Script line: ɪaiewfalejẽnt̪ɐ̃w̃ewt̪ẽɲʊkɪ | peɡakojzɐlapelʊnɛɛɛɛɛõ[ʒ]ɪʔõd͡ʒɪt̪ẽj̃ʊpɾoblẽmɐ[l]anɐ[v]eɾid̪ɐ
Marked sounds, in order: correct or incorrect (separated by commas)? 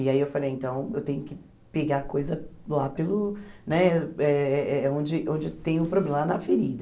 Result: incorrect, correct, incorrect